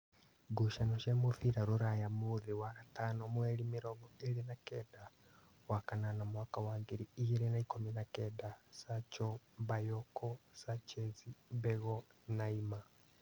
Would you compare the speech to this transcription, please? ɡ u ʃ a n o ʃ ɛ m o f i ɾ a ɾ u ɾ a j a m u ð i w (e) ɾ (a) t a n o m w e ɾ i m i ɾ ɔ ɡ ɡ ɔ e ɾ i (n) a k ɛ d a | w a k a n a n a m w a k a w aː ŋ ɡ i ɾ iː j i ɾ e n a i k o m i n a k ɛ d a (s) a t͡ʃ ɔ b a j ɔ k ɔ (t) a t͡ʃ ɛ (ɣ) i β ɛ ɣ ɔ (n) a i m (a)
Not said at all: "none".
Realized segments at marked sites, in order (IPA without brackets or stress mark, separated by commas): a, a, n, s, s, z, n, a